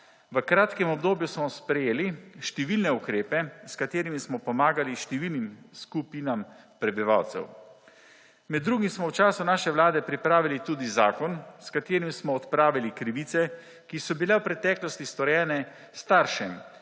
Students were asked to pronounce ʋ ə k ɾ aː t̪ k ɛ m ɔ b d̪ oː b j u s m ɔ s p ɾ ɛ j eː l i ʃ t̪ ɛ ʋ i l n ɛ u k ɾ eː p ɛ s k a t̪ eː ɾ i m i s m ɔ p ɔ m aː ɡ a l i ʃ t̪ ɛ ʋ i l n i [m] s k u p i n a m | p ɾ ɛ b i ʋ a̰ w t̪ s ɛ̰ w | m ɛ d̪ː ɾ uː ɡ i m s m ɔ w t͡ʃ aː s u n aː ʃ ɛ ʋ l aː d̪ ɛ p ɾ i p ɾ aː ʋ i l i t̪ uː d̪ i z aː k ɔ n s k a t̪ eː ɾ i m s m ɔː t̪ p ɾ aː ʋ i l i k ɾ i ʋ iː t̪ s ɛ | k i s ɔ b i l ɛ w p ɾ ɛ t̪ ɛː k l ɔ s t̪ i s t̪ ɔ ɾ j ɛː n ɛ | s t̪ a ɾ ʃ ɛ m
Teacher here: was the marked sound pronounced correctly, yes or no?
yes